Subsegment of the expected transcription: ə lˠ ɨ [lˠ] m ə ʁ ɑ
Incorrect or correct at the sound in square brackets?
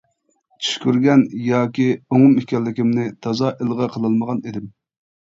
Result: correct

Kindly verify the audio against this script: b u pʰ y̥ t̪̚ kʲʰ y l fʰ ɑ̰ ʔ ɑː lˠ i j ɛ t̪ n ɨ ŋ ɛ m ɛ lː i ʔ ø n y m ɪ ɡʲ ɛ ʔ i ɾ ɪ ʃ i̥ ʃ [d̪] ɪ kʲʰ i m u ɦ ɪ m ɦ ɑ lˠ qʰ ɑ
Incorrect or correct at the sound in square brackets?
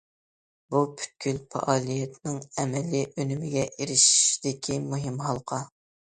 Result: correct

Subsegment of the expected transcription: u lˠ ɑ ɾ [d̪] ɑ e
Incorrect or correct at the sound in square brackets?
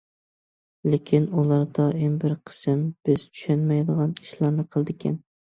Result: correct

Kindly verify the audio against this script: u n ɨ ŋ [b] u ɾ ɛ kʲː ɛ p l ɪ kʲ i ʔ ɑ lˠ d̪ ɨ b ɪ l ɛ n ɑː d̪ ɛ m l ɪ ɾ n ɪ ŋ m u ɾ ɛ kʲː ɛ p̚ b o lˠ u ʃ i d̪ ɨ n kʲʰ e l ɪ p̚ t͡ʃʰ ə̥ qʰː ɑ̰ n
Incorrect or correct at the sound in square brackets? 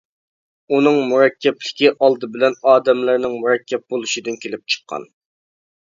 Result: incorrect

